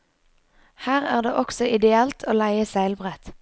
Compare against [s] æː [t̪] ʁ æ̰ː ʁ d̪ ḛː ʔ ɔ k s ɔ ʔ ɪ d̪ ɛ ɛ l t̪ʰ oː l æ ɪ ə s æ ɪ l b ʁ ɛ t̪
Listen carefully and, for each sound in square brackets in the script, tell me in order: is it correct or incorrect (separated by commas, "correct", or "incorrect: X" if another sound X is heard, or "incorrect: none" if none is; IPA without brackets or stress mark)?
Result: incorrect: h, incorrect: none